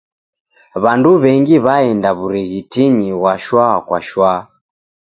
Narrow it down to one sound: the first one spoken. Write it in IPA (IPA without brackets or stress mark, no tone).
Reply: β